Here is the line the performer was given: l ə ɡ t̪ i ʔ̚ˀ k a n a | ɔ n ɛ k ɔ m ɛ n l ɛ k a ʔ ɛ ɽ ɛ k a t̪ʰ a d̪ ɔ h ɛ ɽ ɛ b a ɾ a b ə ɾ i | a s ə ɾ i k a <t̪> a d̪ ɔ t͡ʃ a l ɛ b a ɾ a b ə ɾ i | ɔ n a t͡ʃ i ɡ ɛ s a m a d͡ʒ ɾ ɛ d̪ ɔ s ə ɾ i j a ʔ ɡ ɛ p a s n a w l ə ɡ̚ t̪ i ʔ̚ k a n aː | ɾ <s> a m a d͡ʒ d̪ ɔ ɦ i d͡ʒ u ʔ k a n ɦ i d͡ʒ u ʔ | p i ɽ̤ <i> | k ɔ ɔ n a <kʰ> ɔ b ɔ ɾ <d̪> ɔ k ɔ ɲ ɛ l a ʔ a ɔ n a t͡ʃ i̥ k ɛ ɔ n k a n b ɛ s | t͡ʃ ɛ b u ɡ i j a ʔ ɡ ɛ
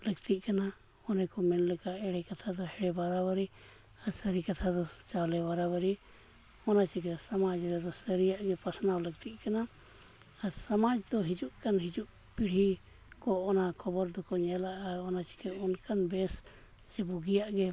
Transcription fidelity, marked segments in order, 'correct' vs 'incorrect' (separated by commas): incorrect, correct, correct, correct, correct